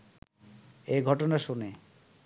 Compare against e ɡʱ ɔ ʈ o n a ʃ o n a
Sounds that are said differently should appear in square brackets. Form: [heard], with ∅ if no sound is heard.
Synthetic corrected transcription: e ɡʱ ɔ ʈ o n a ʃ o n [e]